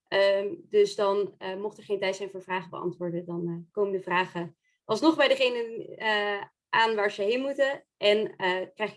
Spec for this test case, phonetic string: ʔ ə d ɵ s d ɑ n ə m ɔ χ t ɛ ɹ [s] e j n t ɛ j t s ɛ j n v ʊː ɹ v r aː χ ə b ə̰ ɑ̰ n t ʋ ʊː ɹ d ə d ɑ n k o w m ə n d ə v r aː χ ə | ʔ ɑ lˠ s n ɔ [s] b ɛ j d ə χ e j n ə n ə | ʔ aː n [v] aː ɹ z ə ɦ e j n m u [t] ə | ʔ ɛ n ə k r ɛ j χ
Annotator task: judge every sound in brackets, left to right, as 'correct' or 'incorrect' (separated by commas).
incorrect, incorrect, incorrect, correct